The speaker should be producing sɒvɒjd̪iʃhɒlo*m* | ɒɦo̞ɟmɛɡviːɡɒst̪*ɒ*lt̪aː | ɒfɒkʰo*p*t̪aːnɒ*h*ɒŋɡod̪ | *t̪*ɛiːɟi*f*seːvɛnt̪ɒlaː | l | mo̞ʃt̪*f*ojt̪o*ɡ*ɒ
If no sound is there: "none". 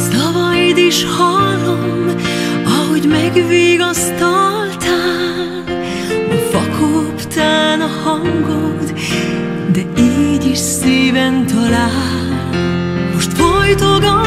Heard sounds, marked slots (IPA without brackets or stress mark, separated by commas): m, o, p, h, d̪, ʃ, f, ɡ